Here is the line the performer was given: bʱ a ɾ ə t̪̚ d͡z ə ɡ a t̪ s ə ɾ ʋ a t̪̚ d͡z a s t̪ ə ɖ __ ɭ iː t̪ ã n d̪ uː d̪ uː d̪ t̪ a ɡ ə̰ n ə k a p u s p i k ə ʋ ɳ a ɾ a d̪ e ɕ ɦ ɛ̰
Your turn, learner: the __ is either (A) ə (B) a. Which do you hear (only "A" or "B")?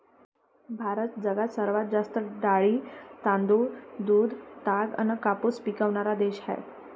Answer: B